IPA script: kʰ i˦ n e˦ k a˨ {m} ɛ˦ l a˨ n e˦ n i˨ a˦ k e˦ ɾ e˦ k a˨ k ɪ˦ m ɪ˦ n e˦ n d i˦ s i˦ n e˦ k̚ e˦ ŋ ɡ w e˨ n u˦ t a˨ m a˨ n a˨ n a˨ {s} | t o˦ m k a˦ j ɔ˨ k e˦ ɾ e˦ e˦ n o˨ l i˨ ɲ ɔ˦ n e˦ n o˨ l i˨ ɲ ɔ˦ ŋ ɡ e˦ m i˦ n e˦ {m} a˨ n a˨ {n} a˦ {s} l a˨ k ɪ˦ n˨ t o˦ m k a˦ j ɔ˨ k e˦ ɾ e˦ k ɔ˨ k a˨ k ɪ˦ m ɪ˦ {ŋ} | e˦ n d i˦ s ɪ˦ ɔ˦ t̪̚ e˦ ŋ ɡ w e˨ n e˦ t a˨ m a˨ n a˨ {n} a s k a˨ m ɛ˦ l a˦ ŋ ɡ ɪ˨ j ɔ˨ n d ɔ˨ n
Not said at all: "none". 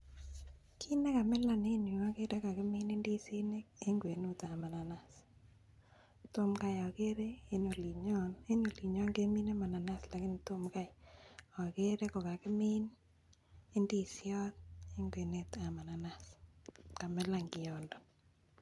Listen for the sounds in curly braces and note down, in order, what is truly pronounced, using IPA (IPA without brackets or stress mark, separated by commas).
m, s, m, n, s, n, n